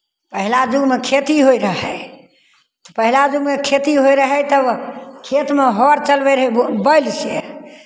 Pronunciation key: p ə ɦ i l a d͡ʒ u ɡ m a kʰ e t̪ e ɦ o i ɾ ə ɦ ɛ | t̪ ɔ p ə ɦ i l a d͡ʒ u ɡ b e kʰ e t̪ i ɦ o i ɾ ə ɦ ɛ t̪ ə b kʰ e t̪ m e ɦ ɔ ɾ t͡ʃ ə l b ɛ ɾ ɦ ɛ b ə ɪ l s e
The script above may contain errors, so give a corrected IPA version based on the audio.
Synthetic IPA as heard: p ə ɦ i l a d͡ʒ u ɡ m e kʰ e t̪ i ɦ o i ɾ ə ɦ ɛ | t̪ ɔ p ə ɦ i l a d͡ʒ u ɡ m e kʰ e t̪ i ɦ o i ɾ ə ɦ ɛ t̪ ə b kʰ e t̪ m e ɦ ɔ ɾ t͡ʃ ə l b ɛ ɾ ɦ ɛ b ə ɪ l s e